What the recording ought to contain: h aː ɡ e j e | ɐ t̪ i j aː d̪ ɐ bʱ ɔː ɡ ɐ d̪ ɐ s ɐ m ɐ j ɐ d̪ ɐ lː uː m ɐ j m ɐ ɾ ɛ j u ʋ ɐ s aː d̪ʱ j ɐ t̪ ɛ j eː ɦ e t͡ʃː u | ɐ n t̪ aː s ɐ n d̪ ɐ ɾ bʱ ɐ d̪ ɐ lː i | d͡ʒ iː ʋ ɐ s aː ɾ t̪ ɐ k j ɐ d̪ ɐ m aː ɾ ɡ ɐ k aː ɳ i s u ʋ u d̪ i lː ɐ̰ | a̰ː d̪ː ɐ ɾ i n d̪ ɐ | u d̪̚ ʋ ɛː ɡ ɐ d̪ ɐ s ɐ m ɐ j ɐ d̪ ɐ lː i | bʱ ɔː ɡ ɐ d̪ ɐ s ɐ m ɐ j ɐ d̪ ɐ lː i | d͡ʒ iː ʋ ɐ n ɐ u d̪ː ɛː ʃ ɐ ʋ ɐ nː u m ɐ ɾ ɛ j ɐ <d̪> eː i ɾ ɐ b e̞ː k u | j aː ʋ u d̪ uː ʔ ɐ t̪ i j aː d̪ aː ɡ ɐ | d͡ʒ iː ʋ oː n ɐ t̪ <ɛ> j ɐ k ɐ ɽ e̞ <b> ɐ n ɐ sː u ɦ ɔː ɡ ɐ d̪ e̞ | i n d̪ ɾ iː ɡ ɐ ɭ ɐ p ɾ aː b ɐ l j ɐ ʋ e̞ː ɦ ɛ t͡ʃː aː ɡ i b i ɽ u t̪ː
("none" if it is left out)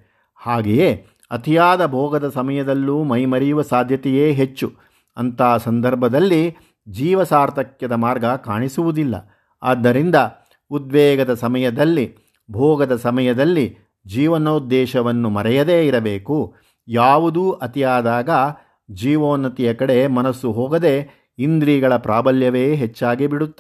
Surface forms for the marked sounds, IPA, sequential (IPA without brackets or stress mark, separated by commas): d̪, i, m